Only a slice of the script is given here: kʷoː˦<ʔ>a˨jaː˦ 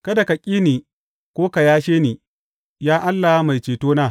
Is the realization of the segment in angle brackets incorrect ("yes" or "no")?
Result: yes